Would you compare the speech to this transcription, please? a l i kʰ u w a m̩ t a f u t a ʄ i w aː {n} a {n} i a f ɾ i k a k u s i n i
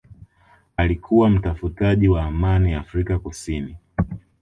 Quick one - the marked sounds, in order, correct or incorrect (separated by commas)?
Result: incorrect, correct